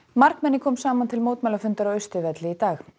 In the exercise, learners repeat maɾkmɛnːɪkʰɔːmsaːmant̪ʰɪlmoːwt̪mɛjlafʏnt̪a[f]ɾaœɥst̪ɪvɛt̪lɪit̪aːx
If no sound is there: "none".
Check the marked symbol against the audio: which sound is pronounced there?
none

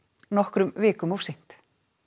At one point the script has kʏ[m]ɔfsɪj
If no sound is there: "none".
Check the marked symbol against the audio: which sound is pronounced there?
m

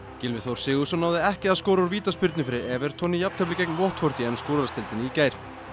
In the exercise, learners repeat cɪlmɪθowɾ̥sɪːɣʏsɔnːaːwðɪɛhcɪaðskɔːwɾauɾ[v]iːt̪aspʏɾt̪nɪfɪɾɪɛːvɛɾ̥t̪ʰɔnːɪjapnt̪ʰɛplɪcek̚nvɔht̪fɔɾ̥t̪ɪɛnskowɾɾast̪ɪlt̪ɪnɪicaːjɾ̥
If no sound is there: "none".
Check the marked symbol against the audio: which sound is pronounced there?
v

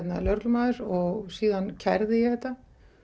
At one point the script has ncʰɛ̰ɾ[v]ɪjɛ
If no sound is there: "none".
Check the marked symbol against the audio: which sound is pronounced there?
ð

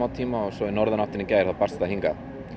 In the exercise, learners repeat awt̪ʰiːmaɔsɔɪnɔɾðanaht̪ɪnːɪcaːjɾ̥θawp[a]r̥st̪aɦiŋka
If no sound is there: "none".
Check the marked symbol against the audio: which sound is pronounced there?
a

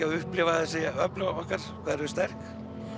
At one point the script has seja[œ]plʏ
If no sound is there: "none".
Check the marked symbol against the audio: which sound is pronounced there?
œ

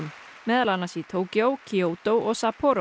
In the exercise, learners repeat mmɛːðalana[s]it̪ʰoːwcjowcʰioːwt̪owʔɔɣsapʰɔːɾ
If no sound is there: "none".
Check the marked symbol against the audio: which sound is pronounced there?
s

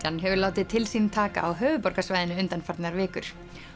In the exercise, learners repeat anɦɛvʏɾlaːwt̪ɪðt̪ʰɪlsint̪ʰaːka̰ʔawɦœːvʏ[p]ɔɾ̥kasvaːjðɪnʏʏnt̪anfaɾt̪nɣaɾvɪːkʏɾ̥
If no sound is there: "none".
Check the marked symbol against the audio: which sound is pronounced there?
p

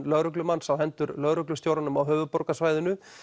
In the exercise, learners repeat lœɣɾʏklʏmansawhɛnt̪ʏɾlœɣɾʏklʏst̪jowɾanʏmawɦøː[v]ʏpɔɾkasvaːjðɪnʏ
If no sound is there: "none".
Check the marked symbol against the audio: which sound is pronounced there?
v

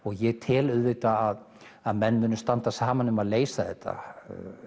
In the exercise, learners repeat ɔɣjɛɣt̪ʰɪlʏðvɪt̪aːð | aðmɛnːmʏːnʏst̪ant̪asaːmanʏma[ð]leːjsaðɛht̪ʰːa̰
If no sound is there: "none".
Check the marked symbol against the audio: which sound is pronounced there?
ð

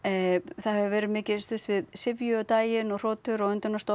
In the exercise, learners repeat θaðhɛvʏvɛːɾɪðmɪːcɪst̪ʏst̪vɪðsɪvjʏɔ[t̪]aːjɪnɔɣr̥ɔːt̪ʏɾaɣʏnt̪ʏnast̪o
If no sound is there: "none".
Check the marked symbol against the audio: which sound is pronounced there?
t̪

